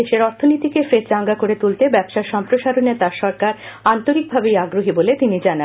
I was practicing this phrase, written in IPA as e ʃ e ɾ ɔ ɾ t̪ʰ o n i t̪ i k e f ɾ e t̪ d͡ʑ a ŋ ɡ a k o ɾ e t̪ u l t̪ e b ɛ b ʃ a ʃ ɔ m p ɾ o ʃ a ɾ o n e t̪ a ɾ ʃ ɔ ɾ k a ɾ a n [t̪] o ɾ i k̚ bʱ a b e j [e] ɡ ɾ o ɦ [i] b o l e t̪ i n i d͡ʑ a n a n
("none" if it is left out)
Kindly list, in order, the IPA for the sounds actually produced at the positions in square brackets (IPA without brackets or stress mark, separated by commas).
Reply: t̪, a, i